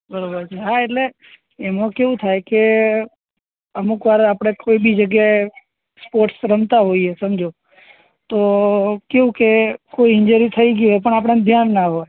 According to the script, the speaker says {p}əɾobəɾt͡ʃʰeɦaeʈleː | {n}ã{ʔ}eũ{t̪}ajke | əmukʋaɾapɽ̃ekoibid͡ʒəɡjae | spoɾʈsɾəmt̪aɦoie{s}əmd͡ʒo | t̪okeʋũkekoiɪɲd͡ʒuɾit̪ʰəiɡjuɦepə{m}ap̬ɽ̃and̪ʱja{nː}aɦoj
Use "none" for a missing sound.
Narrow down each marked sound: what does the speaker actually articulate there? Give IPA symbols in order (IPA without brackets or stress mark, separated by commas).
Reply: b, m, k, t̪ʰ, s, ɳ, nː